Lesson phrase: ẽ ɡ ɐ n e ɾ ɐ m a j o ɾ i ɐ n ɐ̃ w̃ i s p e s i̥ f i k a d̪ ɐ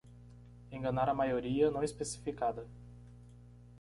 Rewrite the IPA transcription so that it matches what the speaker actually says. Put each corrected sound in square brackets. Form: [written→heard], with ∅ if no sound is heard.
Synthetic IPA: ẽ ɡ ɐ n [e→a] ɾ ɐ m a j o ɾ i ɐ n ɐ̃ w̃ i s p e s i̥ f i k a d̪ ɐ